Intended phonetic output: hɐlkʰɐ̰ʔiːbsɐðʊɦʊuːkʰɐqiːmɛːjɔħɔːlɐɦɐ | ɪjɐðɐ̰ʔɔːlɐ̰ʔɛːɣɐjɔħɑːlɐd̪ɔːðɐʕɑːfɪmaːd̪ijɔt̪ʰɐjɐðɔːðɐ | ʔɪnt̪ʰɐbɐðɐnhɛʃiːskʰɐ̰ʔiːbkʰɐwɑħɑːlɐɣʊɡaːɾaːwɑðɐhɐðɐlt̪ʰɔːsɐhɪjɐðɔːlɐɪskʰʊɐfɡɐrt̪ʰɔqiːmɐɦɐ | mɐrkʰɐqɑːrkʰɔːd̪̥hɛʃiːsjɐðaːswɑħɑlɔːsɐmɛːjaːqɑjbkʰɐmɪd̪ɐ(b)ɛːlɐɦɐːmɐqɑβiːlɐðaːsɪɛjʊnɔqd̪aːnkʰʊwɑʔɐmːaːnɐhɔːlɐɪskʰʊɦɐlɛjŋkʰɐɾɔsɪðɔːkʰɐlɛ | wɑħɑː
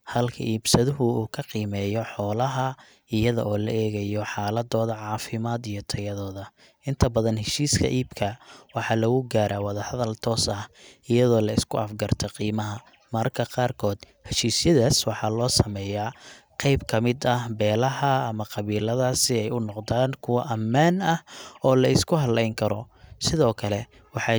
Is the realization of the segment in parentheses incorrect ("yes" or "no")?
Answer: no